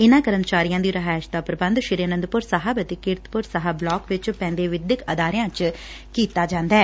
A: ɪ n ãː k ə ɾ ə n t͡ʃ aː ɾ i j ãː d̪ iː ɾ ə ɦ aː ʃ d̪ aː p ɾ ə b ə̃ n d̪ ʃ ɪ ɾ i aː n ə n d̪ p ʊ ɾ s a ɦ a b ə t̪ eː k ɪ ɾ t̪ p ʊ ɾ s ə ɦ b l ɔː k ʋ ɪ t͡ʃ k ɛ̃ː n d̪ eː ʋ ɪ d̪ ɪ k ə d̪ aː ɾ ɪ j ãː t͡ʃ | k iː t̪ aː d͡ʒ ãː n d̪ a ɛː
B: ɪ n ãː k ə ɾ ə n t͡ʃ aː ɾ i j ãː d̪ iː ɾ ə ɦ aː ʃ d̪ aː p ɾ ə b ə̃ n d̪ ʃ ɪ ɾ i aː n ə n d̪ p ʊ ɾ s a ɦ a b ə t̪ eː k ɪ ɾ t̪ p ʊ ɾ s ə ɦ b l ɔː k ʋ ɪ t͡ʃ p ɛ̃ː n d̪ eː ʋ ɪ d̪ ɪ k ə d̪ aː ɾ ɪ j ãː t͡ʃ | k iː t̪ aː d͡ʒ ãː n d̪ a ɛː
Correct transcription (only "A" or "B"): B